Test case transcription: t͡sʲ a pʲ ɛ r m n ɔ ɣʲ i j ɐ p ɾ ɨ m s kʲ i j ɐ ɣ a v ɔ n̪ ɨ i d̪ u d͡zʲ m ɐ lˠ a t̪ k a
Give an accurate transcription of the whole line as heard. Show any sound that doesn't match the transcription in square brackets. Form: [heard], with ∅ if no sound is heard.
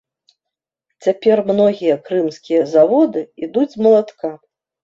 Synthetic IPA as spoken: t͡sʲ a pʲ ɛ r m n ɔ ɣʲ i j ɐ [k] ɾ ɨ m s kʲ i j ɐ [z] a v ɔ [d̪] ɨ i d̪ u d͡zʲ m ɐ lˠ a t̪ k a

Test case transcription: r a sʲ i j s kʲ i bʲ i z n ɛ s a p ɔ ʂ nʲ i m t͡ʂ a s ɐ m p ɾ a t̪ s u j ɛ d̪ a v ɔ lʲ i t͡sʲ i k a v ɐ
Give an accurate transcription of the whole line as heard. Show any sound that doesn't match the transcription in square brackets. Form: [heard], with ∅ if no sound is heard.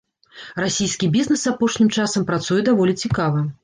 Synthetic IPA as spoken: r a sʲ i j s kʲ i bʲ i z n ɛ s a p ɔ ʂ nʲ i m t͡ʂ a s ɐ m p ɾ a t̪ s u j ɛ d̪ a v ɔ lʲ i t͡sʲ i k a v ɐ

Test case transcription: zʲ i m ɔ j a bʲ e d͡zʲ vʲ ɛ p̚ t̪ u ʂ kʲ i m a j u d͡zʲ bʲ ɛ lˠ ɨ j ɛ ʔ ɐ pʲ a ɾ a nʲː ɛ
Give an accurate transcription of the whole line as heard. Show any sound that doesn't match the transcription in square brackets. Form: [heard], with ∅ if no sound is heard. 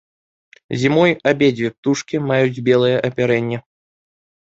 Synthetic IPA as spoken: zʲ i m ɔ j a bʲ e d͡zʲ vʲ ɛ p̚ t̪ u ʂ kʲ i m a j u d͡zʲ bʲ ɛ lˠ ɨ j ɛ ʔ ɐ pʲ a ɾ [ɛ] nʲː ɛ

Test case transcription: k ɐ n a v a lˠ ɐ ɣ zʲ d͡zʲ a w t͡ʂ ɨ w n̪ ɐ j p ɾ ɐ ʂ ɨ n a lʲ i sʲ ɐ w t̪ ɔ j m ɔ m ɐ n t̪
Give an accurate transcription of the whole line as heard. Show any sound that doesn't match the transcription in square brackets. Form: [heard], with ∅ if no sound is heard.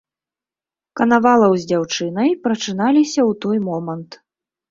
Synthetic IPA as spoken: k ɐ n a v a lˠ ɐ [w] zʲ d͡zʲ a w t͡ʂ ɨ [∅] n̪ ɐ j p ɾ ɐ [t͡ʂ] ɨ n a lʲ i sʲ ɐ w t̪ ɔ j m ɔ m ɐ n t̪

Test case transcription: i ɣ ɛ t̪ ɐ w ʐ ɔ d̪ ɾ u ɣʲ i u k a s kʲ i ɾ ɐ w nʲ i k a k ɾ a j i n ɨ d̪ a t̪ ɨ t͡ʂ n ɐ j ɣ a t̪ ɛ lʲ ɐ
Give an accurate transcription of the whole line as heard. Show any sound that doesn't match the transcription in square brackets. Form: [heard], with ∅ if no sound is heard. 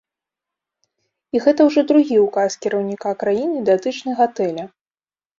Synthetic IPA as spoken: i ɣ ɛ t̪ ɐ w ʐ ɔ d̪ ɾ u ɣʲ i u k a s kʲ i ɾ ɐ w nʲ i k a k ɾ a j i n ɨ d̪ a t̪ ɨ t͡ʂ n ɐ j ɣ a t̪ ɛ lʲ ɐ

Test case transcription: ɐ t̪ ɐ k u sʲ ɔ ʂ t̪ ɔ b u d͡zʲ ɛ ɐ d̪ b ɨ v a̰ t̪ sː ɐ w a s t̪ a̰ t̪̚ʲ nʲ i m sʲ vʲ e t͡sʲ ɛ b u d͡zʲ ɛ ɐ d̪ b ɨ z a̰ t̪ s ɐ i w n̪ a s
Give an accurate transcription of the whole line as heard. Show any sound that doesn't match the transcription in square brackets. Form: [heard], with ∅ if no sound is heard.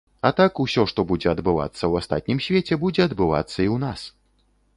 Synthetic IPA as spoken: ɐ t̪ [a] k u sʲ ɔ ʂ t̪ ɔ b u d͡zʲ ɛ ɐ d̪ b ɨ v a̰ t̪ sː ɐ w a s t̪ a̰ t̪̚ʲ nʲ i m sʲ vʲ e t͡sʲ ɛ b u d͡zʲ ɛ ɐ d̪ b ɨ [v] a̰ t̪ [sː] ɐ i w n̪ a s

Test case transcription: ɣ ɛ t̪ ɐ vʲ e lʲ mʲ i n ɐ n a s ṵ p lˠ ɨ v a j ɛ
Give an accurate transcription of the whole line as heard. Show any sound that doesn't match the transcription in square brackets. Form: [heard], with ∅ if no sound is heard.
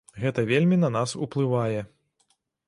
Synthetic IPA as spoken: ɣ ɛ t̪ ɐ vʲ e lʲ mʲ i n ɐ n a s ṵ p lˠ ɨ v a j ɛ

